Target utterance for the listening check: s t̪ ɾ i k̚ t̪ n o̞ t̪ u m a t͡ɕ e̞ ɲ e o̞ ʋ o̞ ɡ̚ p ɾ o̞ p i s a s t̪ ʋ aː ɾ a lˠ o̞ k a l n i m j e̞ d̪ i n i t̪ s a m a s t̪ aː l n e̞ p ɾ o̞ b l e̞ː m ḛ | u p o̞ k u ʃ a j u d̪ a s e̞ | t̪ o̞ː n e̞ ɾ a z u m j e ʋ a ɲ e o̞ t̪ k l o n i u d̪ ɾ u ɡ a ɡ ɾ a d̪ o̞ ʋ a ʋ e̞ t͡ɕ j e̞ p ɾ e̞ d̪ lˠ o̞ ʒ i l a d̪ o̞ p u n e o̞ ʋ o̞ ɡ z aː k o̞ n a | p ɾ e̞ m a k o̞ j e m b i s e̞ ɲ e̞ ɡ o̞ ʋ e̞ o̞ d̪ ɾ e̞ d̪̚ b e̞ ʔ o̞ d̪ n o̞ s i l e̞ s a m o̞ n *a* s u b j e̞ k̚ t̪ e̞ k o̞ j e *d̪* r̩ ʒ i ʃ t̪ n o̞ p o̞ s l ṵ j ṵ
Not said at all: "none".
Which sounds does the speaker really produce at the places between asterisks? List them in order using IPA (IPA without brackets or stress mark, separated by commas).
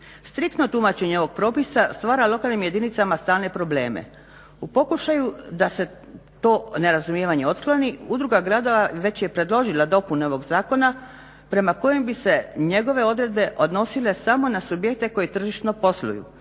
a, t̪